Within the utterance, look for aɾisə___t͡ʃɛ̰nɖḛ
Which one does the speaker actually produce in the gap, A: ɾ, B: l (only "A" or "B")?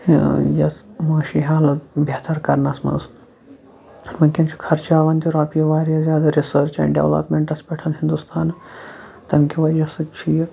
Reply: A